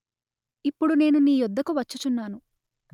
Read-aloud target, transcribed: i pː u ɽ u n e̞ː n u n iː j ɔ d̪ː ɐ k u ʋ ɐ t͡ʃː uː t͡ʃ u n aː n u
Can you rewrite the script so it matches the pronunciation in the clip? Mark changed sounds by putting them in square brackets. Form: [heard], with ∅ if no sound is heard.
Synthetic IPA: i pː u ɽ u n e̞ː n u n iː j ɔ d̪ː ɐ k u ʋ ɐ t͡ʃː [u] t͡ʃ u [nː] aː n u